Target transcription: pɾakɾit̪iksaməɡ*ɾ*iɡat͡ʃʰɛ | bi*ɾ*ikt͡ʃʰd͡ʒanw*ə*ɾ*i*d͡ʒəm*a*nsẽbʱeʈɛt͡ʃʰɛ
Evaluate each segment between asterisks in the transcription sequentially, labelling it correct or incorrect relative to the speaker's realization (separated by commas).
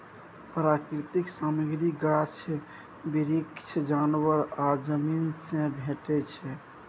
correct, correct, correct, incorrect, incorrect